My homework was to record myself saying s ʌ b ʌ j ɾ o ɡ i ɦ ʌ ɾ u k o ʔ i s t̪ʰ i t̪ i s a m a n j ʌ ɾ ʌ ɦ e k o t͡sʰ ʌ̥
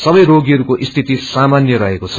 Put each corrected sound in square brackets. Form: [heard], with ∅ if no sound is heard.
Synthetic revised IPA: s ʌ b ʌ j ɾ o ɡ i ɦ ʌ ɾ u k o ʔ i s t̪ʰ i t̪ i s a m a n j ʌ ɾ ʌ ɦ e k o t͡sʰ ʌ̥

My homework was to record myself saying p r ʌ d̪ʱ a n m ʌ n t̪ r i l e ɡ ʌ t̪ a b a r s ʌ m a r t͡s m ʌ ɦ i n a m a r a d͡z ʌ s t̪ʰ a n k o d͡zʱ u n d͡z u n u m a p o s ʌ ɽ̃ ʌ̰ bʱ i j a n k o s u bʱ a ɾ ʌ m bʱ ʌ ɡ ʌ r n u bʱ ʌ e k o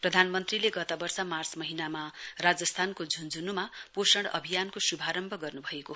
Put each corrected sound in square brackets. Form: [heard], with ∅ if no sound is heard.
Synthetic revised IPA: p r ʌ d̪ʱ a n m ʌ n t̪ r i l e ɡ ʌ t̪ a b [ʌ] r s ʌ m a r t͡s m ʌ ɦ i n a m a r a d͡z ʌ s t̪ʰ a n k o d͡zʱ u n d͡z u n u m a p o s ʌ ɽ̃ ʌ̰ bʱ i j a n k o s u bʱ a ɾ ʌ m bʱ ʌ ɡ ʌ r n u bʱ ʌ e k o

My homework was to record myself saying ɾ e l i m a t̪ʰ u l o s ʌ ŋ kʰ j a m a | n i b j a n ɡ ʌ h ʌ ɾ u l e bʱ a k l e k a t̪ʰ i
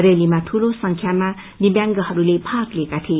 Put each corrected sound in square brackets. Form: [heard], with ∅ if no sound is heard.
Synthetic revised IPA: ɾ e l i m a t̪ʰ u l o s ʌ ŋ kʰ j a m a | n i b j a [ŋ] ɡ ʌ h ʌ ɾ u l e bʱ a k l e k a t̪ʰ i

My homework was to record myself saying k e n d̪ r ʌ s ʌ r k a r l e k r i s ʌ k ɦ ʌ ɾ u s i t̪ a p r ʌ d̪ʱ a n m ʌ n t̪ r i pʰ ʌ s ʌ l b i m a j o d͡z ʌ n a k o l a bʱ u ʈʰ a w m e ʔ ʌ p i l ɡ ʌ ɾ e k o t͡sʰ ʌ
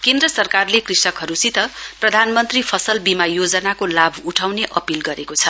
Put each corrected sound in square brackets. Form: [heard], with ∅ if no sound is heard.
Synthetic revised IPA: k e n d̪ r ʌ s ʌ r k a r l e k r i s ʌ k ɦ ʌ ɾ u s i t̪ [ʌ] p r ʌ d̪ʱ a n m ʌ n t̪ r i pʰ ʌ s ʌ l b i m a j o d͡z ʌ n a k o l a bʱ u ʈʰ a w [n] e ʔ ʌ p i l ɡ ʌ ɾ e k o t͡sʰ ʌ

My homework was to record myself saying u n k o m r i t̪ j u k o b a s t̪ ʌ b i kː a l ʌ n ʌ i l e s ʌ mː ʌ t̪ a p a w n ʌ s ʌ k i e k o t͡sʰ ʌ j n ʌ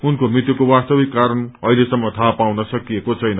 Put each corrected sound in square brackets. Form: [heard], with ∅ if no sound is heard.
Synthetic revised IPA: u n k o m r i t̪ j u k o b a s t̪ ʌ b i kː a [ɾ] ʌ n ʌ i l e s ʌ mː ʌ [t̪ʰ] a p a w n ʌ s ʌ k i e k o t͡sʰ ʌ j n ʌ

